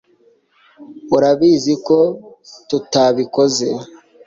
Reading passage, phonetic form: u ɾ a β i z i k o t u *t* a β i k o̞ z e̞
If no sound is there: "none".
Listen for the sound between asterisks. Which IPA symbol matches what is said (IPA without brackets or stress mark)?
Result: t